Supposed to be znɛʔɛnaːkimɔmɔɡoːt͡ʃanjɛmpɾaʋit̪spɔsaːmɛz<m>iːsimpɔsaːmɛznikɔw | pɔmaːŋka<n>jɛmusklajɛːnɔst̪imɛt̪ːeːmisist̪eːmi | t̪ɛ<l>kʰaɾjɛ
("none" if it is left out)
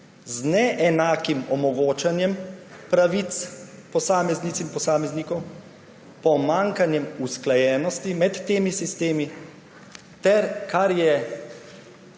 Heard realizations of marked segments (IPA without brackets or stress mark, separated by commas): n, n, ɾ